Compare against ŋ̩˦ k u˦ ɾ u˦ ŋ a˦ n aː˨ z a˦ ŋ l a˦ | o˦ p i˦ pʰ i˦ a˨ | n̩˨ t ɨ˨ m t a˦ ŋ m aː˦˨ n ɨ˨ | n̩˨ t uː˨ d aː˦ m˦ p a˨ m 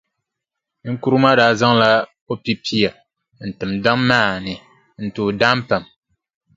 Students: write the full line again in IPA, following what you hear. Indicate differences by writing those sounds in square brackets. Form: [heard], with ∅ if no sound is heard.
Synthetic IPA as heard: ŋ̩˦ k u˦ ɾ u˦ [m] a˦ [d] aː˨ z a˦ ŋ l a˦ | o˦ p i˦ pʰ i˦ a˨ | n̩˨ t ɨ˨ m [d] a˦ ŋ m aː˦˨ n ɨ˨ | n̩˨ t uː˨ d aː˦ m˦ p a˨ m